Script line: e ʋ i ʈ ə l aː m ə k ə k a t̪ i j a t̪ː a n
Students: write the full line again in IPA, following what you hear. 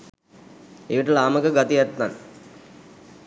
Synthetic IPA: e ʋ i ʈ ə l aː m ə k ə ɡ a t̪ i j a t̪ː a n